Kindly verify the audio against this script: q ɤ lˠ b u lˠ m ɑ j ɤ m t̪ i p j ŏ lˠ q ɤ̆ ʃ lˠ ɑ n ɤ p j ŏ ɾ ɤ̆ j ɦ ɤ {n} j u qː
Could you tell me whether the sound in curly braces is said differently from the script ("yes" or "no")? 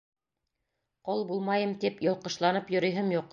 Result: yes